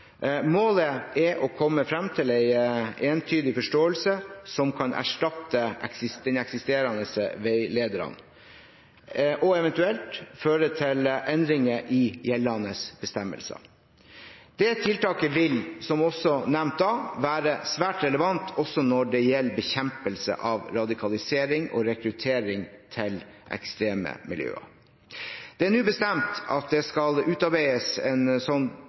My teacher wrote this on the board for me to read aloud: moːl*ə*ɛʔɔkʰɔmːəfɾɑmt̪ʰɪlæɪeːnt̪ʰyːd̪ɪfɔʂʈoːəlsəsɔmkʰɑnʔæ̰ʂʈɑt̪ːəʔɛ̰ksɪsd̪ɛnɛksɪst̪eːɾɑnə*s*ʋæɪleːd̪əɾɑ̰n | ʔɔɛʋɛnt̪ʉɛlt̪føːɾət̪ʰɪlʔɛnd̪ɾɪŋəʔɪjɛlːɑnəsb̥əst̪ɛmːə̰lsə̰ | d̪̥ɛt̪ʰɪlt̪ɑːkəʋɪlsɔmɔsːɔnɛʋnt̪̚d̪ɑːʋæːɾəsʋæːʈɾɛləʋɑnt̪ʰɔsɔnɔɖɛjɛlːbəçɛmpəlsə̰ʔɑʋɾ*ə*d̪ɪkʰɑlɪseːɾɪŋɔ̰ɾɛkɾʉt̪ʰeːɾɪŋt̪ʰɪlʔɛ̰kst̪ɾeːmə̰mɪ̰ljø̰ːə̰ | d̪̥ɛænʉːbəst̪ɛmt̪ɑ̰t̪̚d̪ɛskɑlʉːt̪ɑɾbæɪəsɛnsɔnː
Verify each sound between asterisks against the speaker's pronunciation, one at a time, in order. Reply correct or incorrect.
correct, correct, incorrect: ɑ

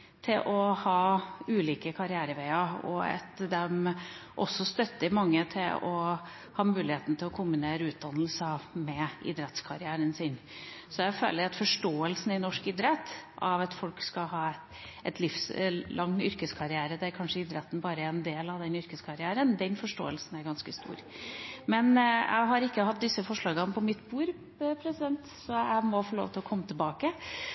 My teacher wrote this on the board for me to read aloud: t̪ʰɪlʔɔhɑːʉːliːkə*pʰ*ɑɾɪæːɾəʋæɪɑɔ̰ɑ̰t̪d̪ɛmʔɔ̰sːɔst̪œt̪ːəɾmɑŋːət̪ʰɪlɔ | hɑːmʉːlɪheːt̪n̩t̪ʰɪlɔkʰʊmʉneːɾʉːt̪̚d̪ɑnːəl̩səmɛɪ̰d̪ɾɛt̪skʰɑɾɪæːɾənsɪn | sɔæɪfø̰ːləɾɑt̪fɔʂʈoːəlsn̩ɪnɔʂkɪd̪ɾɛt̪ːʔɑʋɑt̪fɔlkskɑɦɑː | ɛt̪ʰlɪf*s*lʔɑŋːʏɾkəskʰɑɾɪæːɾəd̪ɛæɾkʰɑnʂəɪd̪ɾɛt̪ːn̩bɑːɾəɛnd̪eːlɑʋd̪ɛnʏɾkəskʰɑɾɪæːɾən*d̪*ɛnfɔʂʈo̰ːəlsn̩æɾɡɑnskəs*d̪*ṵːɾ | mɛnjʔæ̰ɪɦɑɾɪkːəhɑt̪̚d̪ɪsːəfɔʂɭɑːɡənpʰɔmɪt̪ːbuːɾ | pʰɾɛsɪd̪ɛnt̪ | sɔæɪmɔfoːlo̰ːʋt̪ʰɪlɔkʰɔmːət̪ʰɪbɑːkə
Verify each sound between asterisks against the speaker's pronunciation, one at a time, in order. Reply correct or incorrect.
incorrect: kʰ, correct, correct, incorrect: t̪

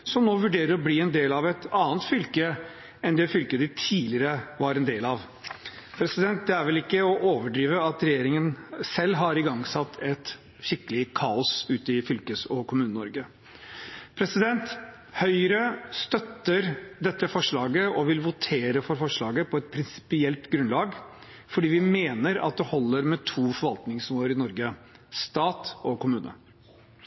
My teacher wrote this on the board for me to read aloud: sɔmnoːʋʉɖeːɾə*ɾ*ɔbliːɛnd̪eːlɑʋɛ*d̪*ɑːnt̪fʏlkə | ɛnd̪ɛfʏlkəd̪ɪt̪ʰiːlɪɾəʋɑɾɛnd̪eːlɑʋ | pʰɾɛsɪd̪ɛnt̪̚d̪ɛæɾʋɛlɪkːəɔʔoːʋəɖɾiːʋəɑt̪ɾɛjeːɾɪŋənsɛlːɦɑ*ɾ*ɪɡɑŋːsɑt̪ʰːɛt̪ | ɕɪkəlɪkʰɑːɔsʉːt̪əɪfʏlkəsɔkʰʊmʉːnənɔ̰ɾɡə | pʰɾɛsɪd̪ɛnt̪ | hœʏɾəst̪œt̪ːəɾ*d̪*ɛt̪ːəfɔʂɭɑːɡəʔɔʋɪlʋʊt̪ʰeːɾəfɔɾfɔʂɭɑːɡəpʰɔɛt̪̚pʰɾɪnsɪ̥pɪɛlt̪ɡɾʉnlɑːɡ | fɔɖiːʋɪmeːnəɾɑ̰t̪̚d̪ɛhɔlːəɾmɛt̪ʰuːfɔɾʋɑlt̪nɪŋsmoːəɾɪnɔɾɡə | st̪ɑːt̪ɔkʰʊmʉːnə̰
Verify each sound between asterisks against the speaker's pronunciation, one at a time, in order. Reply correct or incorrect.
correct, incorrect: t̪, correct, correct

